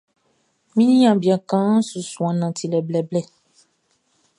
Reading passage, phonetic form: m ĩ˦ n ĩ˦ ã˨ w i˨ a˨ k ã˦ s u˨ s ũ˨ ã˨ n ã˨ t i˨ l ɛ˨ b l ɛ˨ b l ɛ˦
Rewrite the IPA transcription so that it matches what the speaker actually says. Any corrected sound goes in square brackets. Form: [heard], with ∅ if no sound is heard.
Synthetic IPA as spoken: m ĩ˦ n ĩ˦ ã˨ [b] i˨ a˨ k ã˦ s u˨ s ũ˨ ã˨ n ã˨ t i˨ l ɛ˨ b l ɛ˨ b l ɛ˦